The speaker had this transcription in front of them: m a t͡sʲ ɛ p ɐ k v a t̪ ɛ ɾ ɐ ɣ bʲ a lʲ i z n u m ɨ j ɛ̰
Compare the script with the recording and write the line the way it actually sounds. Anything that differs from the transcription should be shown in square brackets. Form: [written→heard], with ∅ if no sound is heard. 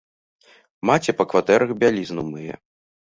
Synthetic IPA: m a t͡sʲ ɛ p ɐ k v a t̪ ɛ ɾ ɐ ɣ bʲ a lʲ i z n u m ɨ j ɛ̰